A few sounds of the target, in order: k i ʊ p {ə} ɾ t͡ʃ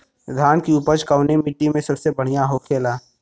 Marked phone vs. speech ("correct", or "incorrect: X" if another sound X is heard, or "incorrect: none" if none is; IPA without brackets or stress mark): correct